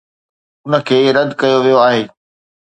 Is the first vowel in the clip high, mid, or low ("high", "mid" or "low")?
high